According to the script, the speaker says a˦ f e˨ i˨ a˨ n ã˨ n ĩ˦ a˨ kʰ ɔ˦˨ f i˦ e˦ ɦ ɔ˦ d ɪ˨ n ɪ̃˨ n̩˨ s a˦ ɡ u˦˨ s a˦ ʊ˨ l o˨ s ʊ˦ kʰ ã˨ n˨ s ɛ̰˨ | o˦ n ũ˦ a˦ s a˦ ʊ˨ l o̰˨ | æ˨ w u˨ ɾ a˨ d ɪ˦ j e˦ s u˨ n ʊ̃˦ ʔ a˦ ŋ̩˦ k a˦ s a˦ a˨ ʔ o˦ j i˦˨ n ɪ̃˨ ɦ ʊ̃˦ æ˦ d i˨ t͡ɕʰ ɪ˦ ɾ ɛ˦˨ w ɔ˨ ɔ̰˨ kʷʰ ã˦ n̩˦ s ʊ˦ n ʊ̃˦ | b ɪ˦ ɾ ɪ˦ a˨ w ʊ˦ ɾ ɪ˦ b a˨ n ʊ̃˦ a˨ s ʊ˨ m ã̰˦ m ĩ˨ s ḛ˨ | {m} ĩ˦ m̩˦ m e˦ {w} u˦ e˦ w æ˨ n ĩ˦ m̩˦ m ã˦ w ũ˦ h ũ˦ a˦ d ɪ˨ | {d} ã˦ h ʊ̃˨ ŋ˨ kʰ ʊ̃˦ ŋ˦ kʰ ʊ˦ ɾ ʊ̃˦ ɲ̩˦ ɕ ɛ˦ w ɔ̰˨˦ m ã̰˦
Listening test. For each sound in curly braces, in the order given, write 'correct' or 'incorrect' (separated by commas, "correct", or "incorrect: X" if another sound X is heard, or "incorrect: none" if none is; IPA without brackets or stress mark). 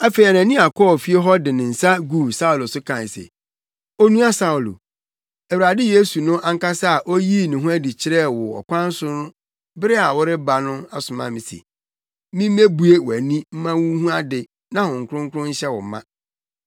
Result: correct, incorrect: b, incorrect: n